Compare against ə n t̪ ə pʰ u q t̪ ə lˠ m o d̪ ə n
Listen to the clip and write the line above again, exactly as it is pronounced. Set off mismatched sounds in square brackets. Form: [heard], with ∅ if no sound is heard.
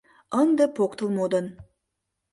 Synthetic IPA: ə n [d̪] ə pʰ [o] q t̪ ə lˠ m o d̪ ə n